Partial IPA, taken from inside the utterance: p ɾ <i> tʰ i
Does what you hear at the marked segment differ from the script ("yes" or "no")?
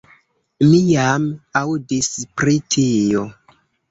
no